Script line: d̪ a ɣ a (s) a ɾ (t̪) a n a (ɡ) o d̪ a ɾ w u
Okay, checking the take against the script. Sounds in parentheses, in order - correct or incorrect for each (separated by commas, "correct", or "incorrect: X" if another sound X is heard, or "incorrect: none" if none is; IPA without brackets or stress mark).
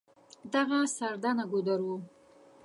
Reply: correct, incorrect: d̪, correct